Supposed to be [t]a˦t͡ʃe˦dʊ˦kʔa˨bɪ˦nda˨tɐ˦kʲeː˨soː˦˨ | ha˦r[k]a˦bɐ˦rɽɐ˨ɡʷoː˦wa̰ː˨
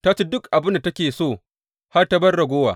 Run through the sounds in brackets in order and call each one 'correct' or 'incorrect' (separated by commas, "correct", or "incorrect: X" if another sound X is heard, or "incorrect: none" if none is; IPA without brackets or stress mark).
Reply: correct, incorrect: t